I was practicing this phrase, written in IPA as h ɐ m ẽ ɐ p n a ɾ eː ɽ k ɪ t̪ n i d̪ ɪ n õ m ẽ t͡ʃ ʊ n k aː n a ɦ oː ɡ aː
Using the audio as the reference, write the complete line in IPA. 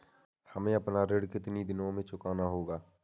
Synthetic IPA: h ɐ m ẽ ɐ p n a ɾ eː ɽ k ɪ t̪ n i d̪ ɪ n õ m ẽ t͡ʃ ʊ k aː n a ɦ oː ɡ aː

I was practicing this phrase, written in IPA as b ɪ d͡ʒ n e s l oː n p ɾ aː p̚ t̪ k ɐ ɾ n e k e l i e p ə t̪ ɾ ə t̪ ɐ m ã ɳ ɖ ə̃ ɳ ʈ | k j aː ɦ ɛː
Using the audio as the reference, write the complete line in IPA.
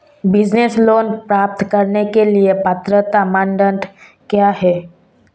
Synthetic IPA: b ɪ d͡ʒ n e s l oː n p ɾ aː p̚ t̪ k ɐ ɾ n e k e l i e p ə t̪ ɾ ə t̪ a m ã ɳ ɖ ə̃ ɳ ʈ | k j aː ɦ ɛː

